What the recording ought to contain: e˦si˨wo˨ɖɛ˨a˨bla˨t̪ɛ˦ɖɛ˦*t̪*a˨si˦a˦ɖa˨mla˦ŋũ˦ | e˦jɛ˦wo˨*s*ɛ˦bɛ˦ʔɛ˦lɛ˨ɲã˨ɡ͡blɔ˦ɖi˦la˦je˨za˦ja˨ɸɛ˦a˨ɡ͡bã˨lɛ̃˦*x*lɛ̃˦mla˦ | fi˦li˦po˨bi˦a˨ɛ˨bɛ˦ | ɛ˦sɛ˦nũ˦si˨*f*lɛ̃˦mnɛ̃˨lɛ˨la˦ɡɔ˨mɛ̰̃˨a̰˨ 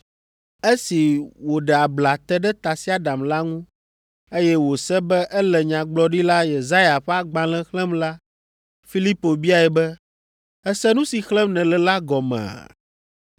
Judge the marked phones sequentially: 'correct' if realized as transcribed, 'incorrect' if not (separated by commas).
correct, correct, correct, incorrect